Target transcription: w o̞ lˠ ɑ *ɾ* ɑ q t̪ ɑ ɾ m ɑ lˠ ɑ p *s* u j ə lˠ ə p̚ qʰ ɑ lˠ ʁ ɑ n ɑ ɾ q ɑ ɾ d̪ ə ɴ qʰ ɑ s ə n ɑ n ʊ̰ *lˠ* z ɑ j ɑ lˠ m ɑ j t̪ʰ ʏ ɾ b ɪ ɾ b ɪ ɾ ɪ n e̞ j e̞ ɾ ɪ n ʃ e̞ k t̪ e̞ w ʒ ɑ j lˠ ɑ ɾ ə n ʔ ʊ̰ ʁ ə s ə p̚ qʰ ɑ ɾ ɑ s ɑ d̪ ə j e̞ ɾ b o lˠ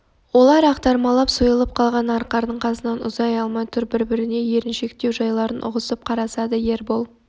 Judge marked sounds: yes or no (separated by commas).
yes, yes, no